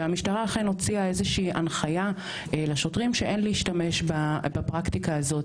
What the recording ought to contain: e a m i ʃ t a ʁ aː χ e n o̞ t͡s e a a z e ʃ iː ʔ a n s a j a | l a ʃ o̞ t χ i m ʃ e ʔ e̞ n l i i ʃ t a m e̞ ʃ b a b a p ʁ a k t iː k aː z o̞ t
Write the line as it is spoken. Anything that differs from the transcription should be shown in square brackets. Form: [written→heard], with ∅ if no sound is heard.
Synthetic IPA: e a m i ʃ t a ʁ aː χ e n o̞ t͡s [e→i] a [a→e] z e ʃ iː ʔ a n [s→χ] a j a | l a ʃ o̞ t [χ→ʁ] i m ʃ e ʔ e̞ n l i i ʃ t a m e̞ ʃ b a b a p ʁ a k t [iː→i] k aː z o̞ t